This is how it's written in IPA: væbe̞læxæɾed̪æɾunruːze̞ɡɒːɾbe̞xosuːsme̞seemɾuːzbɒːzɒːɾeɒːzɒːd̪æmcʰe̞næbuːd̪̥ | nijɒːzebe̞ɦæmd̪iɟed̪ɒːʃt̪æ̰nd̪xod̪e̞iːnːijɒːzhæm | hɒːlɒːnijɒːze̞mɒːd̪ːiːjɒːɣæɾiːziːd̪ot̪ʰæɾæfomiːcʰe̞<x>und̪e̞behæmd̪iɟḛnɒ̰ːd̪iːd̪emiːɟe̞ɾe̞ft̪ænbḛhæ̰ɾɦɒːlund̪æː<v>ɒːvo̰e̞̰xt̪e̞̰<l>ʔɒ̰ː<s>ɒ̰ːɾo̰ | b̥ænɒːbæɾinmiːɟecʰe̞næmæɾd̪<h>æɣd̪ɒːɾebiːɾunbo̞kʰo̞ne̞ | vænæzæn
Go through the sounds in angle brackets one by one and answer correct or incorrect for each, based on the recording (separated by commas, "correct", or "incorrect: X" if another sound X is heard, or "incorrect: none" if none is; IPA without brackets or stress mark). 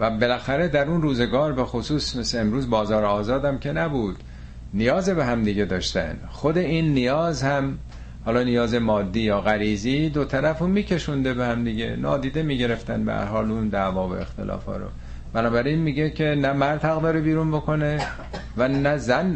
incorrect: ʃ, correct, correct, incorrect: f, correct